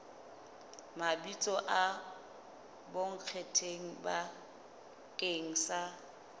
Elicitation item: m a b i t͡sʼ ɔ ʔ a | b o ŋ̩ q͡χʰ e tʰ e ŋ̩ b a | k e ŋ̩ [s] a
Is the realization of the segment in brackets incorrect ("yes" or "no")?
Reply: no